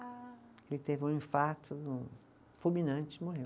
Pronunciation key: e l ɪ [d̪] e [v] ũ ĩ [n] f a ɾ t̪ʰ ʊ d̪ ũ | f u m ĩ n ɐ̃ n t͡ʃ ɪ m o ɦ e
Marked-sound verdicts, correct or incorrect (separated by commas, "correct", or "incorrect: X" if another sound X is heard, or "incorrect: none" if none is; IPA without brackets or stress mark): incorrect: t̪, correct, incorrect: none